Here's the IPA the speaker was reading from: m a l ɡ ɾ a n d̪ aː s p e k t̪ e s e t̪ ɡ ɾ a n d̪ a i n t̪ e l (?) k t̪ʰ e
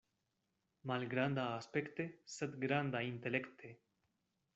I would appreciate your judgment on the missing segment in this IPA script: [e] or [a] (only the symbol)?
e